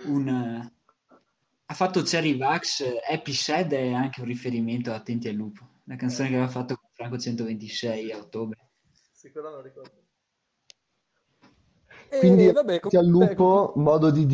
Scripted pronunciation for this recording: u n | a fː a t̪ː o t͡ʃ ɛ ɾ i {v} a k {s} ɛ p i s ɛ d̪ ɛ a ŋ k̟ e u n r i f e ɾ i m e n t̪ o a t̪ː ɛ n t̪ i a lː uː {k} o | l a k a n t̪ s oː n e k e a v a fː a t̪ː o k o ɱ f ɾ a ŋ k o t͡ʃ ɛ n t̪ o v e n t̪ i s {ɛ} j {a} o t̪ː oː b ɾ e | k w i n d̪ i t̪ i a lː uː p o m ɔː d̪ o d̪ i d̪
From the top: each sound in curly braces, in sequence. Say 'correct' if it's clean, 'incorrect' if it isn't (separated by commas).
correct, correct, incorrect, correct, correct